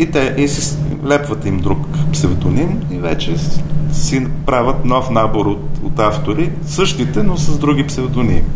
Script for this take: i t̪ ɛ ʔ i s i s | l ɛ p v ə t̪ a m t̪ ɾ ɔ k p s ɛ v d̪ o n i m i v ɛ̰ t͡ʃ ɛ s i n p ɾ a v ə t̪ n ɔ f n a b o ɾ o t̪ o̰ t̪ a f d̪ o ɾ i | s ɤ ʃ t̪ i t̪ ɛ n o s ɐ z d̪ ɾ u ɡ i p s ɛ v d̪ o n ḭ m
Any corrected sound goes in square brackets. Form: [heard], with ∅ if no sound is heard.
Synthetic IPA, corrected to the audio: i t̪ ɛ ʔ i s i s | l ɛ p v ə t̪ [i] m [d̪] ɾ [u] k p s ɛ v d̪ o n i m i v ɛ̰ t͡ʃ ɛ s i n p ɾ a v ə t̪ n ɔ f n a b o ɾ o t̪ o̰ t̪ a f [t̪] o ɾ i | s ɤ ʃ t̪ i t̪ ɛ n o s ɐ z d̪ ɾ u ɡ i p s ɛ v d̪ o n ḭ m